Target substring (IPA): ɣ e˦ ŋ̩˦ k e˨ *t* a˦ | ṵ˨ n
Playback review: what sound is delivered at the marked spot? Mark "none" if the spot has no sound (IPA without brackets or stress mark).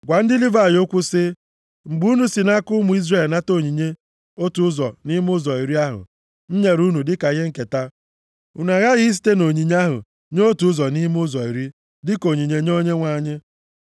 t